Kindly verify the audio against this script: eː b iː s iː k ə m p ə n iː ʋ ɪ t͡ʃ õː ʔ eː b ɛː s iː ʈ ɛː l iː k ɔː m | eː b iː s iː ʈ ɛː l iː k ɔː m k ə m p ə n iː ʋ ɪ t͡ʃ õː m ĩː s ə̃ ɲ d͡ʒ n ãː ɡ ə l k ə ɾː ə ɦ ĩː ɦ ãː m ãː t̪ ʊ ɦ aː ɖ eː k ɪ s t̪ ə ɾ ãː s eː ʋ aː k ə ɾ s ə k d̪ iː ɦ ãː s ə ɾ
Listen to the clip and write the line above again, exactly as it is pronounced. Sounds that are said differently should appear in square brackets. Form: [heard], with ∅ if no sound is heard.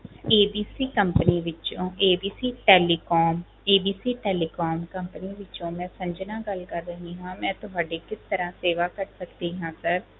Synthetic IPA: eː b iː s iː k ə m p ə n iː ʋ ɪ t͡ʃ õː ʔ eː b [iː] s iː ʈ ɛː l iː k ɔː m | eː b iː s iː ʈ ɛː l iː k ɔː m k ə m p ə n iː ʋ ɪ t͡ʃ õː m [ɛ̃ː] s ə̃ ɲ d͡ʒ n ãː ɡ ə l k ə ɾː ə ɦ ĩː ɦ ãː m [ɛ̃ː] t̪ ʊ ɦ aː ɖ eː k ɪ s t̪ ə ɾ ãː s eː ʋ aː k ə ɾ s ə k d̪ iː ɦ ãː s ə ɾ

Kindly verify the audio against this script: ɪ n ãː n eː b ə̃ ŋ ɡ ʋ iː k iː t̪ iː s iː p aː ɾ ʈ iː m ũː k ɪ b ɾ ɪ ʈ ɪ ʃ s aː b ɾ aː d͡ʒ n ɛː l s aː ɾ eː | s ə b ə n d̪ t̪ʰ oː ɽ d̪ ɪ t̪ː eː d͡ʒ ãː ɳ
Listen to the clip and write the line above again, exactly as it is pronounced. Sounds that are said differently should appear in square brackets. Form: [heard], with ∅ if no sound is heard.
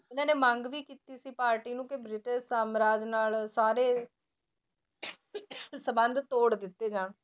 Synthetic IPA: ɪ n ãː n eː [m] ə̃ ŋ ɡ ʋ iː k iː t̪ iː s iː p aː ɾ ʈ iː [n] ũː k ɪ b ɾ ɪ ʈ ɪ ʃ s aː [m] ɾ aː d͡ʒ n [aː] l s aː ɾ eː | s ə b ə n d̪ [t̪] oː ɽ d̪ ɪ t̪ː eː d͡ʒ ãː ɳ

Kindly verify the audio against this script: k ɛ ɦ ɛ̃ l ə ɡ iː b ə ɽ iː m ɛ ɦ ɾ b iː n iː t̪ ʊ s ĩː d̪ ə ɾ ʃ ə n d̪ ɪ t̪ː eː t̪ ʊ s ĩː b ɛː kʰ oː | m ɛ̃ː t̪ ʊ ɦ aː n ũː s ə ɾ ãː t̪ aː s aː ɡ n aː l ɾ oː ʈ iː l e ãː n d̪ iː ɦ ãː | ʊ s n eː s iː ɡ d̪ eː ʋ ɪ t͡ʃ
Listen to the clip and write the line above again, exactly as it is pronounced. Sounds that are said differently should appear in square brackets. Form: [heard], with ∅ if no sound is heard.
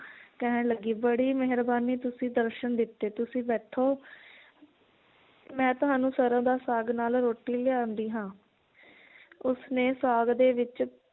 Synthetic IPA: k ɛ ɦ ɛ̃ l ə ɡ iː b ə ɽ iː m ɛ ɦ ɾ b [aː] n iː t̪ ʊ s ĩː d̪ ə ɾ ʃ ə n d̪ ɪ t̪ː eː t̪ ʊ s ĩː b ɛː [ʈʰ] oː | m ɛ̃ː t̪ ʊ ɦ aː n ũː s ə ɾ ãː [d̪] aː s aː ɡ n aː l ɾ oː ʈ iː l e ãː n d̪ iː ɦ ãː | ʊ s n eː s [aː] ɡ d̪ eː ʋ ɪ t͡ʃ

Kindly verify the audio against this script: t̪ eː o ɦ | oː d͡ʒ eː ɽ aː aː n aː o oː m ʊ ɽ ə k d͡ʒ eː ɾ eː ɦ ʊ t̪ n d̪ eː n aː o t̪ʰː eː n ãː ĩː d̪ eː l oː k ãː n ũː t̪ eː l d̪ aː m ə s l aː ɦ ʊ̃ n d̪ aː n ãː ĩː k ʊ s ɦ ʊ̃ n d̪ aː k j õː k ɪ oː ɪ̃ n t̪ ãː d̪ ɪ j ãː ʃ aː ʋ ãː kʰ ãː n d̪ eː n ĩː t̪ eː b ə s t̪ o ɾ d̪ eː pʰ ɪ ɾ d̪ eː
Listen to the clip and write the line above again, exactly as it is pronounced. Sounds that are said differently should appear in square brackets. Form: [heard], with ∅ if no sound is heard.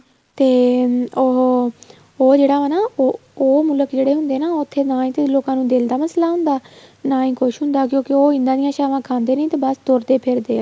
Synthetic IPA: t̪ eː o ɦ | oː d͡ʒ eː ɽ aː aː n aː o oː m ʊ [l] ə k d͡ʒ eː [ɽ] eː ɦ ʊ [∅] n d̪ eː n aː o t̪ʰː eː n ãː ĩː [t̪] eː l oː k ãː n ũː [d̪] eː l d̪ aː m ə s l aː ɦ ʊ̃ n d̪ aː n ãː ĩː k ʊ [ʃ] ɦ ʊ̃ n d̪ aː k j õː k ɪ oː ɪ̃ n [d̪] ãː d̪ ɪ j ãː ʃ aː ʋ ãː kʰ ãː n d̪ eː n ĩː t̪ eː b ə s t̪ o ɾ d̪ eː pʰ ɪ ɾ d̪ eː

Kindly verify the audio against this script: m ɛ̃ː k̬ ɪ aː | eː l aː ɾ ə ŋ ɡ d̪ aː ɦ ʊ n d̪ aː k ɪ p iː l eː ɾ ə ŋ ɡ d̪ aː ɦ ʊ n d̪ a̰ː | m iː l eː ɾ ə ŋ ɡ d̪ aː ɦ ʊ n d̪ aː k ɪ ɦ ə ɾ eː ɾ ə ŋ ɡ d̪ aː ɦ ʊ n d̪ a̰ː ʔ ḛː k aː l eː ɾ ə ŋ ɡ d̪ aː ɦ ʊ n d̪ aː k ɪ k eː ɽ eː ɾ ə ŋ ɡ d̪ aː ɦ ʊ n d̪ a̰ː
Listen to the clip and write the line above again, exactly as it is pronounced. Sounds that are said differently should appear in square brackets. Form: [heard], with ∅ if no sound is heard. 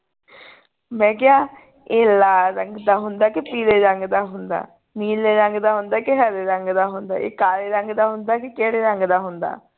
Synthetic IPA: m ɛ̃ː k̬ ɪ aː | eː l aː ɾ ə ŋ ɡ d̪ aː ɦ ʊ n d̪ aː k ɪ p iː l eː ɾ ə ŋ ɡ d̪ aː ɦ ʊ n d̪ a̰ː | m iː l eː ɾ ə ŋ ɡ d̪ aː ɦ ʊ n d̪ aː k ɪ ɦ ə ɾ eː ɾ ə ŋ ɡ d̪ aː ɦ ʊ n d̪ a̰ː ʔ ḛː k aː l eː ɾ ə ŋ ɡ d̪ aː ɦ ʊ n d̪ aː k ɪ k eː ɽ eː ɾ ə ŋ ɡ d̪ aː ɦ ʊ n d̪ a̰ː

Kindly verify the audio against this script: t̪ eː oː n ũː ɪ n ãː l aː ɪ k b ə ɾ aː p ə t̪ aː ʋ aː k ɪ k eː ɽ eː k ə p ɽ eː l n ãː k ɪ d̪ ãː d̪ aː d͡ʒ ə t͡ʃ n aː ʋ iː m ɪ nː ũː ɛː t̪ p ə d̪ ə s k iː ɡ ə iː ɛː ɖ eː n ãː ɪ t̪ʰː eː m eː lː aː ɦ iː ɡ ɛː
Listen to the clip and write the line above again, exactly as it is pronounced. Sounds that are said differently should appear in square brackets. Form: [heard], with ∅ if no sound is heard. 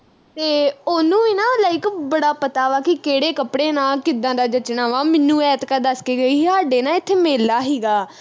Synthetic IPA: t̪ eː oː n ũː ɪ n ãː l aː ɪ k b ə [ɽ] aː p ə t̪ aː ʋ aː k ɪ k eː ɽ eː k ə p ɽ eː [∅] n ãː k ɪ d̪ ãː d̪ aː d͡ʒ ə t͡ʃ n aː ʋ [aː] m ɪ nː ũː ɛː t̪ [k] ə d̪ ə s k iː ɡ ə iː [aː] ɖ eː n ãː ɪ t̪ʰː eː m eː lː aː ɦ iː ɡ [aː]

